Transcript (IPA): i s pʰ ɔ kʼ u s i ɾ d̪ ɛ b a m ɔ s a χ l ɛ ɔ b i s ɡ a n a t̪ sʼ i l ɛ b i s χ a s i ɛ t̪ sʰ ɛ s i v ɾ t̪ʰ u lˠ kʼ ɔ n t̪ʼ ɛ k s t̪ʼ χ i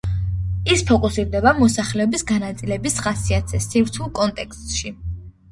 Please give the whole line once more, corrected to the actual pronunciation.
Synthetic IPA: i s pʰ ɔ kʼ u s i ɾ d̪ ɛ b a m ɔ s a χ l ɛ ɔ b i s ɡ a n a t̪ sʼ i l ɛ b i s χ a s i a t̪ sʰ ɛ s i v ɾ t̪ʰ u lˠ kʼ ɔ n t̪ʼ ɛ k s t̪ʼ ʃ i